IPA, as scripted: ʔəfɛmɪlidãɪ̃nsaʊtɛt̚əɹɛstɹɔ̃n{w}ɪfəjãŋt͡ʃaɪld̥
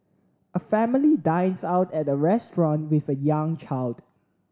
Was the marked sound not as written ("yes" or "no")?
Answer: no